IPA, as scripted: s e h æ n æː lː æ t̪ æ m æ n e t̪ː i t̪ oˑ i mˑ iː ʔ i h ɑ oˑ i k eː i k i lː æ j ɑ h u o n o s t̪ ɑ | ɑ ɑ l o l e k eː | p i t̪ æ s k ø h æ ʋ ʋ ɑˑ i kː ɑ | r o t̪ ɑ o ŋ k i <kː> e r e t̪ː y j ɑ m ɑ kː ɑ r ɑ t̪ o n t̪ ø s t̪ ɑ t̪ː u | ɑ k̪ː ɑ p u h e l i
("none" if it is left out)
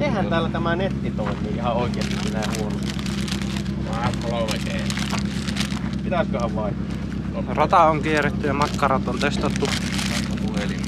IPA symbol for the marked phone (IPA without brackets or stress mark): none